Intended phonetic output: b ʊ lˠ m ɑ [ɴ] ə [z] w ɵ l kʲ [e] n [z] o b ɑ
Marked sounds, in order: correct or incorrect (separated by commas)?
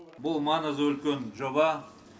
incorrect, correct, correct, incorrect